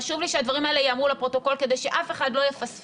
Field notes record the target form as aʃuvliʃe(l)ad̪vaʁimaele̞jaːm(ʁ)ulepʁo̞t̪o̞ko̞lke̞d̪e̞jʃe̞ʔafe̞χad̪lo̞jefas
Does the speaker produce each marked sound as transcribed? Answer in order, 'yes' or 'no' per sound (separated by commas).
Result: no, yes